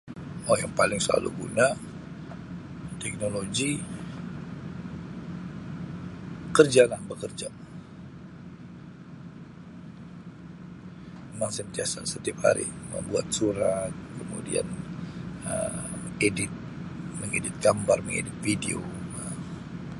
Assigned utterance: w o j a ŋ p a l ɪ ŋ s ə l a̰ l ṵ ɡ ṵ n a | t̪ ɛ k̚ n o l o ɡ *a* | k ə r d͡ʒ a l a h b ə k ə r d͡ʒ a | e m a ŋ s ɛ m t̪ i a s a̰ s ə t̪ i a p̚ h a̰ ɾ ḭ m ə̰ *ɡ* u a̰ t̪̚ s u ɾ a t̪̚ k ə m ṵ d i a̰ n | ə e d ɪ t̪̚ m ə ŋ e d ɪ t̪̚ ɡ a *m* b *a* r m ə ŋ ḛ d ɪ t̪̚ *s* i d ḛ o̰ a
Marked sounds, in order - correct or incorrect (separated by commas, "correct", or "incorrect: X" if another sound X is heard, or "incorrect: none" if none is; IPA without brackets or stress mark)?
incorrect: i, incorrect: b, correct, correct, incorrect: f